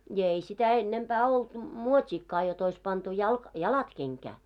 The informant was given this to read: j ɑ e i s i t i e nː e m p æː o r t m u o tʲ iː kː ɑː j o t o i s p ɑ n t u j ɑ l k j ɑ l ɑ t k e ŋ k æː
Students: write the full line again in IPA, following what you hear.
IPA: j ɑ e i s i t æ e nː e m p æː o l t m u o tʲ iː kː ɑː j o t o i s p ɑ n t u j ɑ l k j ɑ l ɑ t k e ŋ k æː